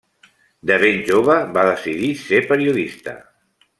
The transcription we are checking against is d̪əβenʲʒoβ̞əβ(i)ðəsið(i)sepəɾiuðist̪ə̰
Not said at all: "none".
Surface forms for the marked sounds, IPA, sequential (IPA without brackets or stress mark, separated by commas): a, i